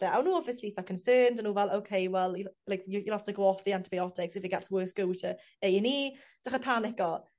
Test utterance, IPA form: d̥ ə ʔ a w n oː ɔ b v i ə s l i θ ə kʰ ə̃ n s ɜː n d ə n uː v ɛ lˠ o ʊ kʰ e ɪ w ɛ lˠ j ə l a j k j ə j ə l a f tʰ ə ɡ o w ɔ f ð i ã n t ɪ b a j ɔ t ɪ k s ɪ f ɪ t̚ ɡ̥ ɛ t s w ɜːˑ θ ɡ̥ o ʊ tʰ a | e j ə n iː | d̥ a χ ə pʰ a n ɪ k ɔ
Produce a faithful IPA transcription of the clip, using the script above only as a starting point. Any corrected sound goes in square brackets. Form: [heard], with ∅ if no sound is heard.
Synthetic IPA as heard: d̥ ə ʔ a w n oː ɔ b v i ə s l i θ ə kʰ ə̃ n s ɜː n d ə n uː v ɛ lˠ o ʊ kʰ e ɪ w ɛ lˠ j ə l a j k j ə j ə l a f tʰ ə ɡ o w ɔ f ð i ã n t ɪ b a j ɔ t ɪ k s ɪ f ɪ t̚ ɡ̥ ɛ t s w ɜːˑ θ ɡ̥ o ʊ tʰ [ə] | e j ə n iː | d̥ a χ ə pʰ a n ɪ k ɔ